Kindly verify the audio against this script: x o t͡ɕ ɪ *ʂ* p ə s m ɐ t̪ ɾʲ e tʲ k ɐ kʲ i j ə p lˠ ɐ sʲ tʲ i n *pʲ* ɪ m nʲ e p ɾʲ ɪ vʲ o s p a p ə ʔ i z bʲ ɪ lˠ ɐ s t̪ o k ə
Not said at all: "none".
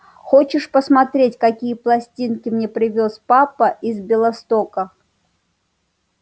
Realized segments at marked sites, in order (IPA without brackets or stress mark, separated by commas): ʂ, kʲ